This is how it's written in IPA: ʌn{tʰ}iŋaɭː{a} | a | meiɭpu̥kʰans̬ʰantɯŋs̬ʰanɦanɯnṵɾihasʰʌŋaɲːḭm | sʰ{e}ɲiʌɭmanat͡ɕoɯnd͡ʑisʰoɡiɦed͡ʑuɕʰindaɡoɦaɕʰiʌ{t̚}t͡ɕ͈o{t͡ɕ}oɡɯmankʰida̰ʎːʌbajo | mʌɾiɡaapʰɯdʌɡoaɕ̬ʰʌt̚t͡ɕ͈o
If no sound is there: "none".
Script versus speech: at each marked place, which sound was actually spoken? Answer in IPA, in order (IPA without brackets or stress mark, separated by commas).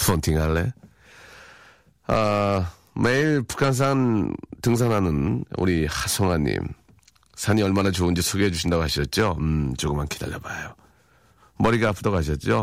tʰ, e, a, t̚, t͡ɕ